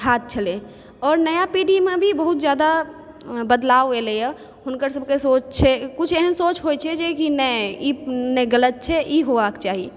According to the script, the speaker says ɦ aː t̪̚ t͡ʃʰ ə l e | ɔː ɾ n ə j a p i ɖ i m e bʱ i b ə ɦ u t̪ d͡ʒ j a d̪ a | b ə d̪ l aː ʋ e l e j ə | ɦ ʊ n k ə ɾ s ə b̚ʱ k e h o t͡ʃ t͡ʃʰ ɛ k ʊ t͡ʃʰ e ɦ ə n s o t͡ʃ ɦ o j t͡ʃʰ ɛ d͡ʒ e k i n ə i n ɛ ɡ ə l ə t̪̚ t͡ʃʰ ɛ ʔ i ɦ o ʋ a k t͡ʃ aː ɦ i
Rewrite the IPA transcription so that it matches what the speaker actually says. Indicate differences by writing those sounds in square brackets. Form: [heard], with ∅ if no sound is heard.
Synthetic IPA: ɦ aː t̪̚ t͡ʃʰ ə l e | ɔː ɾ n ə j a p i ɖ i m e bʱ i b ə ɦ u t̪ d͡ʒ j a d̪ a | b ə d̪ l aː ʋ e l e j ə | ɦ ʊ n k ə ɾ s ə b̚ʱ k e [s] o t͡ʃ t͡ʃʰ ɛ k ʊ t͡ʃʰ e ɦ ə n s o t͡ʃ ɦ o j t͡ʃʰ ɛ d͡ʒ e k i n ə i n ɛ ɡ ə l ə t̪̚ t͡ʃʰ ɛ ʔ i ɦ o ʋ a k t͡ʃ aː ɦ i